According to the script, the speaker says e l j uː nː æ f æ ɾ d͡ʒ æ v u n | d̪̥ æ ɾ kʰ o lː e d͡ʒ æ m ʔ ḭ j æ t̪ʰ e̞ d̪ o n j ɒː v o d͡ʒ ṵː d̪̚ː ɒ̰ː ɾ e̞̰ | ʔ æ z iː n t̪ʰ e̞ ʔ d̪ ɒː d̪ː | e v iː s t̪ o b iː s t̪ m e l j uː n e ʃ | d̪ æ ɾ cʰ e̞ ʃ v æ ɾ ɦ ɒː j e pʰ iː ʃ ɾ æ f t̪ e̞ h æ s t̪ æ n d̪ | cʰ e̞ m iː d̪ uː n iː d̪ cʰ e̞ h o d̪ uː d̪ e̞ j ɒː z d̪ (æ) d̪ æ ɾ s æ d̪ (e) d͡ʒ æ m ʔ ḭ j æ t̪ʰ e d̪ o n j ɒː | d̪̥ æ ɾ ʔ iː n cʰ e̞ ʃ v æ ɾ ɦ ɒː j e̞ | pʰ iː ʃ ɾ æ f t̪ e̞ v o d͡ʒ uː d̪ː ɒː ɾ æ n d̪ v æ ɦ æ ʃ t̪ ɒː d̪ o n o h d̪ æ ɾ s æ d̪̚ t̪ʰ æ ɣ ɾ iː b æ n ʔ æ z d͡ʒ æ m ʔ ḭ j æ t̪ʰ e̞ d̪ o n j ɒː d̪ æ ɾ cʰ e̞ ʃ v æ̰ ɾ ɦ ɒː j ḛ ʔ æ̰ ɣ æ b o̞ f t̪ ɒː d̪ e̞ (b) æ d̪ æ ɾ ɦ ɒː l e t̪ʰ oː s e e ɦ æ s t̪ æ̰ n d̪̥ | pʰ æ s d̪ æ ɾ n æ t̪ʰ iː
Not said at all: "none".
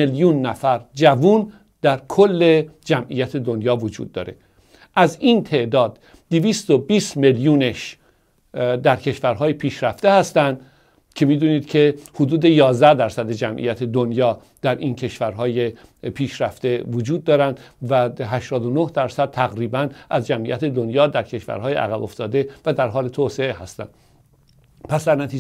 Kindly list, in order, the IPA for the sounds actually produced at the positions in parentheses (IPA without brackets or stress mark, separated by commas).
æ, e, v